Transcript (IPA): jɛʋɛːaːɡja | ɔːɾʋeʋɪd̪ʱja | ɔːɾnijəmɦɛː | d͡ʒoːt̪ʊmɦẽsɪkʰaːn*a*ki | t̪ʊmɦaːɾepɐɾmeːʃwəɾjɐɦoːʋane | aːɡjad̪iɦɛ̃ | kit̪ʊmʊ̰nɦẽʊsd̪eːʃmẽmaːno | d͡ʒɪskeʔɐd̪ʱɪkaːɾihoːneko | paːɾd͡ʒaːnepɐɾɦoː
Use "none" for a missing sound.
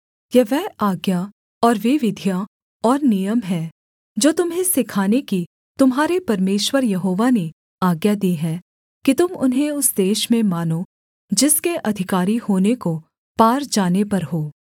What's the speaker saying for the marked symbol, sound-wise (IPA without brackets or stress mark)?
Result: e